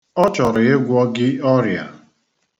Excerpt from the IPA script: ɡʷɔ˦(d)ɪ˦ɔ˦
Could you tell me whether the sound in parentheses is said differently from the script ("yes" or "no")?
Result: yes